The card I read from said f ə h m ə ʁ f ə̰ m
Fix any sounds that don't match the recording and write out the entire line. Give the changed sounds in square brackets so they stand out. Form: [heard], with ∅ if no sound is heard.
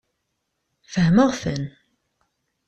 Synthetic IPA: f ə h m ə ʁ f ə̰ [n]